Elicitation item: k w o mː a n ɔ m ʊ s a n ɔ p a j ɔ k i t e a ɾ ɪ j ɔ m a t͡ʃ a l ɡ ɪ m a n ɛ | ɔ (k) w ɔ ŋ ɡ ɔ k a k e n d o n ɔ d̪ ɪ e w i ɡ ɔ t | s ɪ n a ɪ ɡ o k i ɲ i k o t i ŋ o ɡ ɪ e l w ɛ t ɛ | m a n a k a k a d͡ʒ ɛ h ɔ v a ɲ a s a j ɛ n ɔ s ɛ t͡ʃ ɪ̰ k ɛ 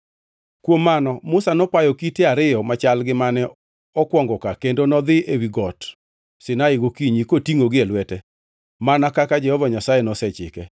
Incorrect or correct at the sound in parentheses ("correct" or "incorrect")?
correct